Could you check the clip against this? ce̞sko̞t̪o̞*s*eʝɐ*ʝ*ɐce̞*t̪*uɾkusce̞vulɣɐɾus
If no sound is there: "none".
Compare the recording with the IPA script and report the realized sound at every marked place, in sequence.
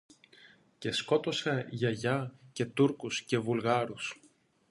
s, ʝ, t̪

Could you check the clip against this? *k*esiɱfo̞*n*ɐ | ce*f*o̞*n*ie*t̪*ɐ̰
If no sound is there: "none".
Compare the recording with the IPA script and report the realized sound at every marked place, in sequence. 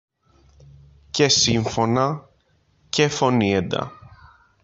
c, n, f, n, d̪

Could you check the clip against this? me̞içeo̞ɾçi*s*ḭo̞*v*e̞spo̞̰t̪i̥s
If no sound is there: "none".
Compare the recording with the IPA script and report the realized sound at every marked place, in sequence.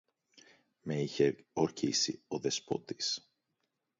s, ð

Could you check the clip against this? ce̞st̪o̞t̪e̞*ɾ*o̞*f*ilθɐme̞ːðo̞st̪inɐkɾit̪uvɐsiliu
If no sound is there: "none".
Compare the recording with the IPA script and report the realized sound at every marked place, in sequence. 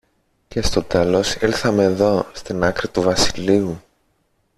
l, s

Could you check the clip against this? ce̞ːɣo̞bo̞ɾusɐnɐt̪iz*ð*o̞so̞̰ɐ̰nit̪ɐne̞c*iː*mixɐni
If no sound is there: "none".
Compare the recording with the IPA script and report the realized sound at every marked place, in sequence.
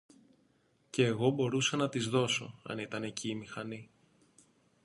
ð, iː

